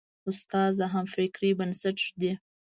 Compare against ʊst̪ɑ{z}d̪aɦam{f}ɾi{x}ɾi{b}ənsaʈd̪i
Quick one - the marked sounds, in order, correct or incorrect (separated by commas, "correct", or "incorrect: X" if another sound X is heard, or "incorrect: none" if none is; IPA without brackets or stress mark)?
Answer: correct, correct, incorrect: k, correct